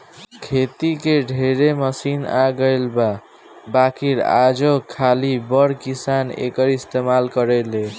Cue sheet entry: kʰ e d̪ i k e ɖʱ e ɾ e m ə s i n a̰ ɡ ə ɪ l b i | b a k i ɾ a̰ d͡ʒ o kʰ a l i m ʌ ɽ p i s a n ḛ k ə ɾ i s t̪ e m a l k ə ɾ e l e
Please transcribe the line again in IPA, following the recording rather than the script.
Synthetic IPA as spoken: kʰ e t̪ i k e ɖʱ e ɾ e m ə s i n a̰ ɡ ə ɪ l b a | b a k i ɾ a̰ d͡ʒ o kʰ a l i b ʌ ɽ k i s a n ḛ k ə ɾ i s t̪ e m a l k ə ɾ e l e